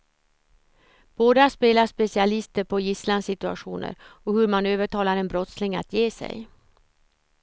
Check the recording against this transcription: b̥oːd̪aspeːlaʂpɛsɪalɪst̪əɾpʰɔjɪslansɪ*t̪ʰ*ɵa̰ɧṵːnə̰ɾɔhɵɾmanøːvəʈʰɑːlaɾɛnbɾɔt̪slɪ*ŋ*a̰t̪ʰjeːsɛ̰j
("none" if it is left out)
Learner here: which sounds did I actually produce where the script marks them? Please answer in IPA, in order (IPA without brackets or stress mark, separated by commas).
t̪, ŋ